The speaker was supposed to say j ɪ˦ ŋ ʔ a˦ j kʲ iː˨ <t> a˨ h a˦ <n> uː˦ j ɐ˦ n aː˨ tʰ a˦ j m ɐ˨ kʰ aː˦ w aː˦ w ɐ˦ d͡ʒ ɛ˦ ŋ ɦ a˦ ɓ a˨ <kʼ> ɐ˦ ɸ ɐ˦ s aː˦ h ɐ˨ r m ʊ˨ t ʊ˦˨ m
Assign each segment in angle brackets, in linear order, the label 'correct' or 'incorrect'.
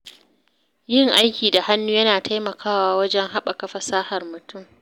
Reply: incorrect, incorrect, incorrect

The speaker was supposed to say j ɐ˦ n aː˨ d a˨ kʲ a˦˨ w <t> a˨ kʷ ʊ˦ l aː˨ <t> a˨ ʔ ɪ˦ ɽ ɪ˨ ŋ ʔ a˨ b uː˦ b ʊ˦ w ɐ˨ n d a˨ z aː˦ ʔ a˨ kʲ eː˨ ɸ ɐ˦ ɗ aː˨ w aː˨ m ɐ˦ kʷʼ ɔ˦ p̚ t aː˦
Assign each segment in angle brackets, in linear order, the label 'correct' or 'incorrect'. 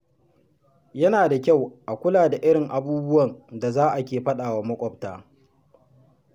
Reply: incorrect, incorrect

